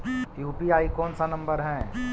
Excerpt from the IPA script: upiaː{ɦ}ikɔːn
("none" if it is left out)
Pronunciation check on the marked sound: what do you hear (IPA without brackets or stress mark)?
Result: none